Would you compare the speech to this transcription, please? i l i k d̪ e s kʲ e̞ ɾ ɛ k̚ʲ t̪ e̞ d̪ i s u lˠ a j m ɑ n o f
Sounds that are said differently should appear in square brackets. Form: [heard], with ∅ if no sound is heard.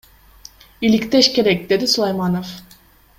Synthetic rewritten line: i l i k [t̪] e [ʃ] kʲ e̞ ɾ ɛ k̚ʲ [d̪] e̞ d̪ i s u lˠ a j m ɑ n o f